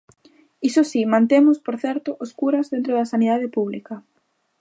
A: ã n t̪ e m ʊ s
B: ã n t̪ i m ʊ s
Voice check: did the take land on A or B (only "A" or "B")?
A